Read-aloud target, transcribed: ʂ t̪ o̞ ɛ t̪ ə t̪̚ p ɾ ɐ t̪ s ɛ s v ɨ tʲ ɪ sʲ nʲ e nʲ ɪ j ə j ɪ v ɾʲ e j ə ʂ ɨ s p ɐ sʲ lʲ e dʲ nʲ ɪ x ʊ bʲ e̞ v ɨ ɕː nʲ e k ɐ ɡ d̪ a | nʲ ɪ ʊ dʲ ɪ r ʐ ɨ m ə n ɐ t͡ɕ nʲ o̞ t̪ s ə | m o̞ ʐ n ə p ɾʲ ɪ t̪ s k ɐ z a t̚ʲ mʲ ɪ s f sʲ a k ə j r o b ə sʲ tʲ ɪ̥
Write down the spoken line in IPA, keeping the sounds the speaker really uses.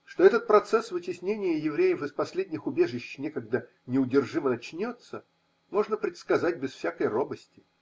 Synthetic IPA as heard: ʂ t̪ o̞ ɛ t̪ ə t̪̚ p ɾ ɐ t̪ s ɛ s v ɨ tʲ ɪ sʲ nʲ e nʲ ɪ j ə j ɪ v ɾʲ e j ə f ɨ s p ɐ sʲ lʲ e dʲ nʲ ɪ x ʊ bʲ e̞ ʐ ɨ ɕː nʲ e k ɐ ɡ d̪ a | nʲ ɪ ʊ dʲ ɪ r ʐ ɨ m ə n ɐ t͡ɕ nʲ o̞ t̪ s ə | m o̞ ʐ n ə p ɾʲ ɪ t̪ s k ɐ z a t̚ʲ bʲ ɪ s f sʲ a k ə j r o b ə sʲ tʲ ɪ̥